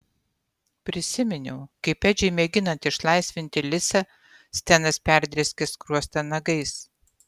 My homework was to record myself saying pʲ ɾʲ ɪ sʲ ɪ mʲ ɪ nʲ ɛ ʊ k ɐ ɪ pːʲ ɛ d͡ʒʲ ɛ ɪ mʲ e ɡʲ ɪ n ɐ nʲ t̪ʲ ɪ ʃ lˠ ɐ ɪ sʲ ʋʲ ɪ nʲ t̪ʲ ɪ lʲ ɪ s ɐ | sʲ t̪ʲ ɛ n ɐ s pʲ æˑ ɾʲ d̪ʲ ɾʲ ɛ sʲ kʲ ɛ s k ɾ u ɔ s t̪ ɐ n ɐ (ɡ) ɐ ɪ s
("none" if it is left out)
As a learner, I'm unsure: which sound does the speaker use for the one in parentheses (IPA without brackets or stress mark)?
ɡ